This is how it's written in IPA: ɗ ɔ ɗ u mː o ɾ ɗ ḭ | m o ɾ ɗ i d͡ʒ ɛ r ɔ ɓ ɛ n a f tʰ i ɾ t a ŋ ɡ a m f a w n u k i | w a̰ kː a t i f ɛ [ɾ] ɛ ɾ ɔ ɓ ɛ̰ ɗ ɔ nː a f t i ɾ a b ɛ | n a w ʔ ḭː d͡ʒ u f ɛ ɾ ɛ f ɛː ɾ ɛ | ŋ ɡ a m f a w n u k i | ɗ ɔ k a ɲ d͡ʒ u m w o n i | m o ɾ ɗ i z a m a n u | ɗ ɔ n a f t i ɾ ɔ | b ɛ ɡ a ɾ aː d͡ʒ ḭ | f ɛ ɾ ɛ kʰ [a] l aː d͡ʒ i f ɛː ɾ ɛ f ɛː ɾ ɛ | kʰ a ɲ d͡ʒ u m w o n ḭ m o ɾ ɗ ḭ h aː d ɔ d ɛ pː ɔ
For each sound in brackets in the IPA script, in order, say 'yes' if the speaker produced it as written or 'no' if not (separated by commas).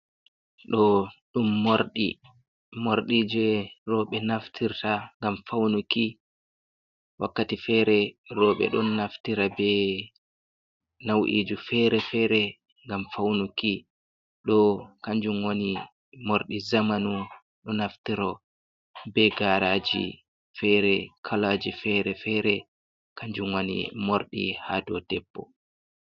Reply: yes, yes